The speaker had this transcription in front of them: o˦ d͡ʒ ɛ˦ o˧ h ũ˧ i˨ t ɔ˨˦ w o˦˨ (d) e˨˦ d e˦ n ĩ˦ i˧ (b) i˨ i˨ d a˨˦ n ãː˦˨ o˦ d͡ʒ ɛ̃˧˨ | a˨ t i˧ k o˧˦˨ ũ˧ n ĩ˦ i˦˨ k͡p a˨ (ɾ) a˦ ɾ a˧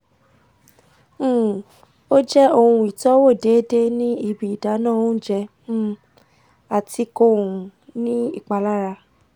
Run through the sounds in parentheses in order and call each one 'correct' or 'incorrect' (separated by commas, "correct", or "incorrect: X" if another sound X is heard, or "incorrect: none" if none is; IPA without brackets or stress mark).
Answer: correct, correct, incorrect: l